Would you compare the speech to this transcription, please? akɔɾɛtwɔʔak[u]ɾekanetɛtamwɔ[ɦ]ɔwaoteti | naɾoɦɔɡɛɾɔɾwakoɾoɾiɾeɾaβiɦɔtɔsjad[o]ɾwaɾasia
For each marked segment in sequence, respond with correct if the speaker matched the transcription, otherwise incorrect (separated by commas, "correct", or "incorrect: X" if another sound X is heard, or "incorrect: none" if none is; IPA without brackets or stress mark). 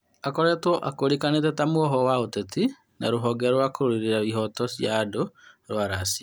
incorrect: o, correct, correct